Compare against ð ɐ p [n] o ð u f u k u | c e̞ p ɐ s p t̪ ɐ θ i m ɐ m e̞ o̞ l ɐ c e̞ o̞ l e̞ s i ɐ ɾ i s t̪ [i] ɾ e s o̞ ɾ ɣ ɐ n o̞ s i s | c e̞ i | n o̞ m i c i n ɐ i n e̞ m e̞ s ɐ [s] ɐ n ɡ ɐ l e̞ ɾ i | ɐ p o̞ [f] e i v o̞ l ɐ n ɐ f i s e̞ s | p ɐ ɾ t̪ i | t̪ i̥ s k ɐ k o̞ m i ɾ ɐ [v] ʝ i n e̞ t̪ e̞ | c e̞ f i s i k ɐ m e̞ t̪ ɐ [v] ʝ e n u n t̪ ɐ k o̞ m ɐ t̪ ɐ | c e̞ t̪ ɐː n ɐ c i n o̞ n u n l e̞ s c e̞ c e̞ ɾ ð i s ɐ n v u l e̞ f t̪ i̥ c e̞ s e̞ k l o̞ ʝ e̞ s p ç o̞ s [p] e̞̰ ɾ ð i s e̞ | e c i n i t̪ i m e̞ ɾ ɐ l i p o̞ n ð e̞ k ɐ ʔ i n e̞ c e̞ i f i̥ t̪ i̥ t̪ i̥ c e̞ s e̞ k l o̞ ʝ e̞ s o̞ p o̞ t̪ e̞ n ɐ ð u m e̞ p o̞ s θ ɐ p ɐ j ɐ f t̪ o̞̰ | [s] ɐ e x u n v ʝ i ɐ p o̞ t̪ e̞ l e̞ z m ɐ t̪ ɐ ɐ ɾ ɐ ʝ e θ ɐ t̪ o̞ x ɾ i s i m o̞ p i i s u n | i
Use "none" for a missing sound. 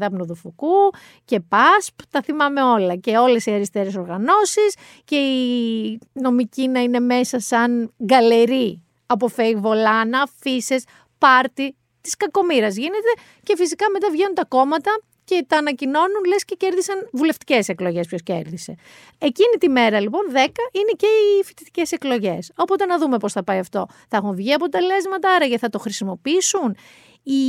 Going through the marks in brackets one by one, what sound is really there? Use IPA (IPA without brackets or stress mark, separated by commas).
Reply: n, e, s, f, z, v, c, θ